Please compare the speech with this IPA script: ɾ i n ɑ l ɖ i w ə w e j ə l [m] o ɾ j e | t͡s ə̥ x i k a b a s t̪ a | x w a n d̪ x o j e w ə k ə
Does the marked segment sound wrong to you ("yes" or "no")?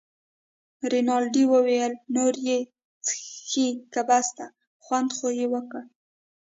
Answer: yes